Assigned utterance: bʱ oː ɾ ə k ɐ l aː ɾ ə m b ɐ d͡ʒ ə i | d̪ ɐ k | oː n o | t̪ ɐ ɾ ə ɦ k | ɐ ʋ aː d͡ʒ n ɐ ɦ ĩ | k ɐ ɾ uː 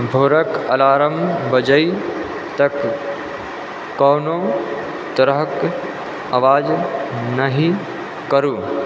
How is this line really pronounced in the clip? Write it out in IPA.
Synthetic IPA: bʱ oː ɾ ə k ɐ l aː ɾ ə m b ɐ d͡ʒ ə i | t̪ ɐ k | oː n o | t̪ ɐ ɾ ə ɦ k | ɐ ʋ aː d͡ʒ n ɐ ɦ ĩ | k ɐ ɾ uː